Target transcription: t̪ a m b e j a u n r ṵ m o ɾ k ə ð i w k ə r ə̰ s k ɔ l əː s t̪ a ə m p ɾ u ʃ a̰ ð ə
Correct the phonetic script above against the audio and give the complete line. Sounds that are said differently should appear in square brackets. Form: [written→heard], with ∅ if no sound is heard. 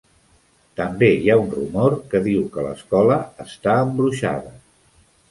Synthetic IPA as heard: t̪ [a→ə] m b e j a u n r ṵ m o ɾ k ə ð i w k ə [r→l] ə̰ s k ɔ l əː s t̪ a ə m [p→b] ɾ u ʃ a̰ ð ə